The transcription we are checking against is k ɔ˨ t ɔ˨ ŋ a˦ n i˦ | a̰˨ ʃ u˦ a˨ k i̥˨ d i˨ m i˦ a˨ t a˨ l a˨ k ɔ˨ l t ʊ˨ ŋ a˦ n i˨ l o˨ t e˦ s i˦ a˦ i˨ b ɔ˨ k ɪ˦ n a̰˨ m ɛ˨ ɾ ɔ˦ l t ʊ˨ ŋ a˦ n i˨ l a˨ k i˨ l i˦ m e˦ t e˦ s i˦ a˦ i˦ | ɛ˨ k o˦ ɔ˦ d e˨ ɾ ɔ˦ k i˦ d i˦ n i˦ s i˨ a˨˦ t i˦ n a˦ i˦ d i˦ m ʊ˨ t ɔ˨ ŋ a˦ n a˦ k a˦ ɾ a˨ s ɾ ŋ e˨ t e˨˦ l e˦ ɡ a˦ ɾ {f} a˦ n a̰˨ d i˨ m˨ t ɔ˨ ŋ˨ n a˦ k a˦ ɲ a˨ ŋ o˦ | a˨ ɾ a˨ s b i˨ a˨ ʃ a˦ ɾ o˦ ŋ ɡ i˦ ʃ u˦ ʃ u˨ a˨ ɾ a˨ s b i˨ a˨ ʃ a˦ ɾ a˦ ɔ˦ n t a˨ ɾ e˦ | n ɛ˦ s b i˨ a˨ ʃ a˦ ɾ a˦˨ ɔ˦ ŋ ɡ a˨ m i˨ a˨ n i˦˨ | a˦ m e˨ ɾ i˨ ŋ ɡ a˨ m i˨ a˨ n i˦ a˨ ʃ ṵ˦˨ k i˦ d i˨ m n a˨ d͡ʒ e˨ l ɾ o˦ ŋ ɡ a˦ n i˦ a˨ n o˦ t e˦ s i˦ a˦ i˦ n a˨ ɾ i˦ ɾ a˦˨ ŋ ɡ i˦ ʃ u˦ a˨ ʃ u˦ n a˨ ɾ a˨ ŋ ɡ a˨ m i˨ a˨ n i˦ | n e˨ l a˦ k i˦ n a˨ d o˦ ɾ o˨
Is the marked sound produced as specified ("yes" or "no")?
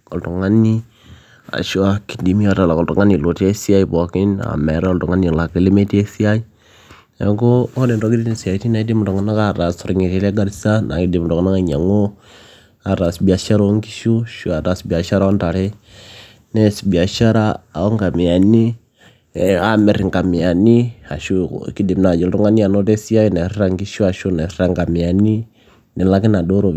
no